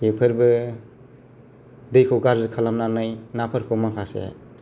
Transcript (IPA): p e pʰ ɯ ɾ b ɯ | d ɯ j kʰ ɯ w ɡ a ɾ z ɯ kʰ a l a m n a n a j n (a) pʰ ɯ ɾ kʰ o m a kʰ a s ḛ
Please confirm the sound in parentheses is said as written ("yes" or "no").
yes